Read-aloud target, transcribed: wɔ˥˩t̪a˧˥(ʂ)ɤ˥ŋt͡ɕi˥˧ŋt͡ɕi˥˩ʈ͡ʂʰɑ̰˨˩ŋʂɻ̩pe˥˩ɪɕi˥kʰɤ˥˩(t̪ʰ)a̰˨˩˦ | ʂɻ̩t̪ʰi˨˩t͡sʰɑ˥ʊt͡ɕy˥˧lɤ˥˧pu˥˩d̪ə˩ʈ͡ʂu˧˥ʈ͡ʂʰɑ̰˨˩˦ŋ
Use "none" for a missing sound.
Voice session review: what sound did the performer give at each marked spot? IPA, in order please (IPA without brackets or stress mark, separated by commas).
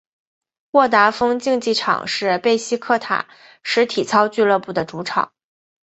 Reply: f, t̪ʰ